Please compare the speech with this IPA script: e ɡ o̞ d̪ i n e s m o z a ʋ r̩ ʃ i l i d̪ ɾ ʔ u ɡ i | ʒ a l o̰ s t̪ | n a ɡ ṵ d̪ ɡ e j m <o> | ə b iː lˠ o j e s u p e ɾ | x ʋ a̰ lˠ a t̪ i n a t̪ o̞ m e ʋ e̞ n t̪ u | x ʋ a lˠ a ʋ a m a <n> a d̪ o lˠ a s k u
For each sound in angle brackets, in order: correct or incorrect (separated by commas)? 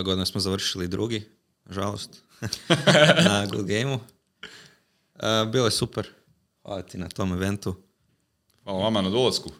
incorrect, correct